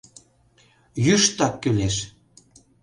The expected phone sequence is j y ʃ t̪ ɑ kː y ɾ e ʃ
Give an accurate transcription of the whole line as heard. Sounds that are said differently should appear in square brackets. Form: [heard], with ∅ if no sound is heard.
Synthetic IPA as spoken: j y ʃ t̪ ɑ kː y [l] e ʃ